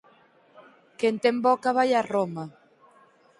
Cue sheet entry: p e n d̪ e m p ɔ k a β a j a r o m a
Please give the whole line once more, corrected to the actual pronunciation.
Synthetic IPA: k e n t̪ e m b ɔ k a β a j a r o m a